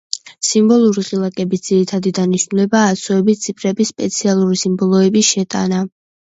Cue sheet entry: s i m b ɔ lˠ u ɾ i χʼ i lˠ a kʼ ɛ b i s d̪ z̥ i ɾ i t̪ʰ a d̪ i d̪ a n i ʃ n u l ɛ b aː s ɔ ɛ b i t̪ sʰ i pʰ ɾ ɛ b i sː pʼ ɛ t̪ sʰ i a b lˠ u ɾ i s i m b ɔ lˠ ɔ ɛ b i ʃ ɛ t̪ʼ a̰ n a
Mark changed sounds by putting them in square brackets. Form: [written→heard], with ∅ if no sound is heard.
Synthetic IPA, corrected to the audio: s i m b ɔ lˠ u ɾ i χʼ i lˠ a kʼ ɛ b i s d̪ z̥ i ɾ i t̪ʰ a d̪ i d̪ a n i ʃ n u l ɛ b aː s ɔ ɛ b i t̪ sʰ i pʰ ɾ ɛ b i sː pʼ ɛ t̪ sʰ i a [b→∅] lˠ u ɾ i s i m b ɔ lˠ ɔ ɛ b i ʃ ɛ t̪ʼ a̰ n a